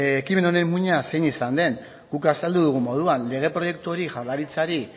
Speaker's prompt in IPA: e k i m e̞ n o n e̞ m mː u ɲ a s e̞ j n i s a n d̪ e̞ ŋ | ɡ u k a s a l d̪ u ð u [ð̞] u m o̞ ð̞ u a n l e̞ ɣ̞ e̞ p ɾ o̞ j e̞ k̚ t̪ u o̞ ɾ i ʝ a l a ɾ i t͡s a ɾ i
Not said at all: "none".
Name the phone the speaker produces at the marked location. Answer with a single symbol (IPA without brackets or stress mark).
ɣ̞